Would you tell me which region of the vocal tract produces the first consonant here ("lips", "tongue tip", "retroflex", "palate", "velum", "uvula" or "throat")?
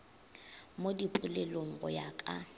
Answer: lips